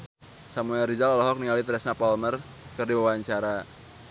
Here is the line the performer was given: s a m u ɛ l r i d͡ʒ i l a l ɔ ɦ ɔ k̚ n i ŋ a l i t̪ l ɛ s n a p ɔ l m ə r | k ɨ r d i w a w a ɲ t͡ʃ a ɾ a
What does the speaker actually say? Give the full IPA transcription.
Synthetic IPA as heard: s a m u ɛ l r i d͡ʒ a l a l ɔ ɦ ɔ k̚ n i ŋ a l i t̪ ɾ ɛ s n a p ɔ l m ə r | k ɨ r d i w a w a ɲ t͡ʃ a ɾ a